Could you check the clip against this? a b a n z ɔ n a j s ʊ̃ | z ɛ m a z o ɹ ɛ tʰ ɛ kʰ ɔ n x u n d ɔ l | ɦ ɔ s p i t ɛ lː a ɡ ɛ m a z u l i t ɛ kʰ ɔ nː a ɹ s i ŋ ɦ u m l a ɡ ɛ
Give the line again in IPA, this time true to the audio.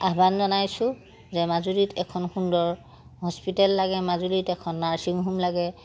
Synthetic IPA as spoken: a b a n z ɔ n a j s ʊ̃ | z ɛ m a z u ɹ i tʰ ɛ kʰ ɔ n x u n d ɔ ɹ | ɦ ɔ s p i t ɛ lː a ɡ ɛ m a z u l i t ɛ kʰ ɔ nː a ɹ s i ŋ ɦ u m l a ɡ ɛ